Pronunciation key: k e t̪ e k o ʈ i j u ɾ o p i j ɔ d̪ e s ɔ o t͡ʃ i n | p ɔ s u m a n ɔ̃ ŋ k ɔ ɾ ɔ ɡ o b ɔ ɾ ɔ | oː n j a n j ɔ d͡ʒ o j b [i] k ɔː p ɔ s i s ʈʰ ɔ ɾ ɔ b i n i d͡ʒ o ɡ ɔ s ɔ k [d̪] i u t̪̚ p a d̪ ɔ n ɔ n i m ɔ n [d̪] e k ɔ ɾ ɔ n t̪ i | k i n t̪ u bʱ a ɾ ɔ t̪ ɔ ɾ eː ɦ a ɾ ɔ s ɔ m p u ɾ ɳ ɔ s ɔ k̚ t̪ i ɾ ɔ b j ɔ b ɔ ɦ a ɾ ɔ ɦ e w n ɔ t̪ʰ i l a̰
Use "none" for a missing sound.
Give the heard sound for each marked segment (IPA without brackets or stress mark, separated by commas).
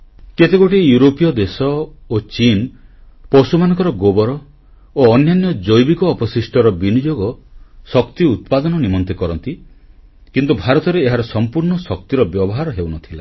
i, t̪, t̪